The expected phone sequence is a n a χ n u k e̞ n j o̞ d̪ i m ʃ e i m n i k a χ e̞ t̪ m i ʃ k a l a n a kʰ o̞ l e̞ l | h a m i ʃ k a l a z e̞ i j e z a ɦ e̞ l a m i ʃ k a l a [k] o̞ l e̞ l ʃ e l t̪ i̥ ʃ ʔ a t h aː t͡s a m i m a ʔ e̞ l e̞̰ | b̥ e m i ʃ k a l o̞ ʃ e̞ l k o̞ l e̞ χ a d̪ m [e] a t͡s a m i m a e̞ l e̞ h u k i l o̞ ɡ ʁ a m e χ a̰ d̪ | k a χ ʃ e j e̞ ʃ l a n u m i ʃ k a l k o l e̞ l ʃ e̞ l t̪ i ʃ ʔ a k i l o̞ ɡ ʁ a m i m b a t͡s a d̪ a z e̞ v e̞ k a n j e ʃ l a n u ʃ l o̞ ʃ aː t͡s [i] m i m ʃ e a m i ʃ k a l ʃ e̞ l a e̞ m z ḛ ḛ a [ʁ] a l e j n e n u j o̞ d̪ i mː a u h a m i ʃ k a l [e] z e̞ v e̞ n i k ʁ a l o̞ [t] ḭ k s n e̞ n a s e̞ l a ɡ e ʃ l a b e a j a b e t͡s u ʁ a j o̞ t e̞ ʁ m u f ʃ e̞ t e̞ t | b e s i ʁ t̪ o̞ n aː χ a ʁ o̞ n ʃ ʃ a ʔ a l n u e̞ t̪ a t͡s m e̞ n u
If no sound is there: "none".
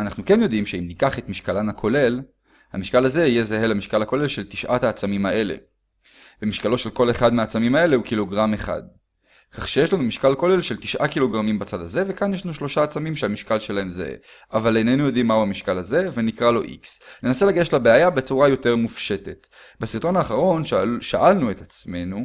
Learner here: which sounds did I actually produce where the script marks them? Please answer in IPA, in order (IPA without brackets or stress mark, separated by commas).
k, e, a, v, a, ʔ